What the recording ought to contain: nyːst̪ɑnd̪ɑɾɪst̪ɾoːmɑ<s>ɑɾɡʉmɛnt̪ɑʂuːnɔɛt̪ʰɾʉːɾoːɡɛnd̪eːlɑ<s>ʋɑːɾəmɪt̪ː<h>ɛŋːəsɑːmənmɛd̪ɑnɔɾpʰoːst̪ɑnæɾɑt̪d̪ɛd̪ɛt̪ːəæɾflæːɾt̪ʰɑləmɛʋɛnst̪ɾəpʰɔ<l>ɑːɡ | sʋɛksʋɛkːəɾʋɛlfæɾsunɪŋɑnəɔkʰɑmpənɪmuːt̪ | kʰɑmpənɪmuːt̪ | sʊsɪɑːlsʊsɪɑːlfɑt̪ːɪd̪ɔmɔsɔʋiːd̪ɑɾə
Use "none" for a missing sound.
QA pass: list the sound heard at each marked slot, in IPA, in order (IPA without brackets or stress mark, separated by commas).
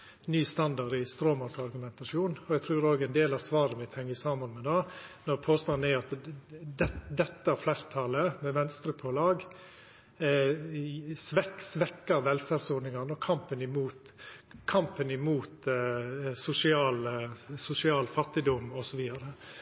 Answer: s, s, h, l